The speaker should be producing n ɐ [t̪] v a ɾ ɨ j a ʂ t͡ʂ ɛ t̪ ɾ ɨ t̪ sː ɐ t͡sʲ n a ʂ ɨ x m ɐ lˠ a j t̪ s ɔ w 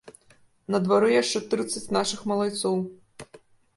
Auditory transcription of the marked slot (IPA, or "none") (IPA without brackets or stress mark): d̪